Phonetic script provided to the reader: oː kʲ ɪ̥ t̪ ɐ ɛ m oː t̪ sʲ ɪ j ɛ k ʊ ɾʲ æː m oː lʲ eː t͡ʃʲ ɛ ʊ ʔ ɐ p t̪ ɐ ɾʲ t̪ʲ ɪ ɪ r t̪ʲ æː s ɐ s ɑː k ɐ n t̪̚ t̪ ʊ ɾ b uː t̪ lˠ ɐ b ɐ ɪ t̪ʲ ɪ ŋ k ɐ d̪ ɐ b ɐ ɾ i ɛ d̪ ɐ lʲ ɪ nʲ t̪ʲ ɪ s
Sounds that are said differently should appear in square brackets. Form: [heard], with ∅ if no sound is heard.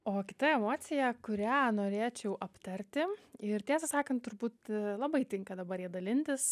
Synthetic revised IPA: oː kʲ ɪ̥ t̪ ɐ ɛ m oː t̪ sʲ ɪ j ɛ k ʊ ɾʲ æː [n] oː [ɾʲ] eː t͡ʃʲ ɛ ʊ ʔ ɐ p t̪ ɐ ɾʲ t̪ʲ ɪ ɪ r t̪ʲ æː s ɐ s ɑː k ɐ n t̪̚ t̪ ʊ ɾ b uː t̪ lˠ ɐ b ɐ ɪ t̪ʲ ɪ ŋ k ɐ d̪ ɐ b ɐ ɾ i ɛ d̪ ɐ lʲ ɪ nʲ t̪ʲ ɪ s